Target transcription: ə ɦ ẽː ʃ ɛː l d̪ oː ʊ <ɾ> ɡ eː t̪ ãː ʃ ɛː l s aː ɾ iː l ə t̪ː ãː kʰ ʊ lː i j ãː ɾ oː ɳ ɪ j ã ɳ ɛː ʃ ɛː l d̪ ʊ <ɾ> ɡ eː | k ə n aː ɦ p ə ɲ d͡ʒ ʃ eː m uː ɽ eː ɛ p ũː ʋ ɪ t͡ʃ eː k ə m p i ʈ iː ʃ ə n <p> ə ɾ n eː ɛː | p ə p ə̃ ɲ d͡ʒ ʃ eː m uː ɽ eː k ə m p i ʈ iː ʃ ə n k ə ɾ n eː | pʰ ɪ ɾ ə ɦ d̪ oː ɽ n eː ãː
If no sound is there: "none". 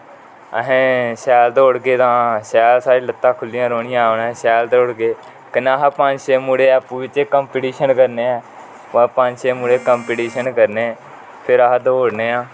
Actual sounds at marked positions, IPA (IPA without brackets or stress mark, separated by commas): ɽ, ɽ, k